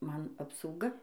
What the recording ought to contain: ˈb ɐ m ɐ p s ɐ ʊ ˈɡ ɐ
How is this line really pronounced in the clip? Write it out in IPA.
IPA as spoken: ˈm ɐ n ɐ p s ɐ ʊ ˈɡ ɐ